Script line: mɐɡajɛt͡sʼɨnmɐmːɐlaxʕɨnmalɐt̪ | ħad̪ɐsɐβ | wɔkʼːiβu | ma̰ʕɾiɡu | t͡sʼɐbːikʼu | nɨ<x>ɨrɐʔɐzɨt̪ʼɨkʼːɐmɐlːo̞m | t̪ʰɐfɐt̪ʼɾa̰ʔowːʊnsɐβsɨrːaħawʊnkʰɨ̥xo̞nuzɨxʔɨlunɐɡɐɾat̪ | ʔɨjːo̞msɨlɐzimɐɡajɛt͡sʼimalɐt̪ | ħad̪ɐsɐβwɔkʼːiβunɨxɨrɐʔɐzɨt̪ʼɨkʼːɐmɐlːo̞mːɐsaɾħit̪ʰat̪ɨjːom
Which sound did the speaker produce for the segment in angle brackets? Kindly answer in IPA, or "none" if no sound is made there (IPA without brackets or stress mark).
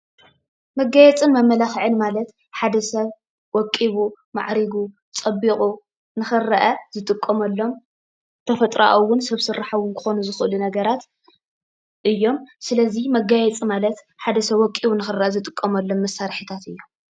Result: x